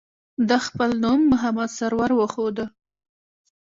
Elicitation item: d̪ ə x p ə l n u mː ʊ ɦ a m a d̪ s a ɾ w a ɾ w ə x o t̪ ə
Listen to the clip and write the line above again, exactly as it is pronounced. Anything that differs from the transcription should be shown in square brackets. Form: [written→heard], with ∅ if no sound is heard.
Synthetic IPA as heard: d̪ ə x p ə l n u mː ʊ ɦ a m a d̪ s a ɾ w a ɾ w ə x o [t̪→d̪] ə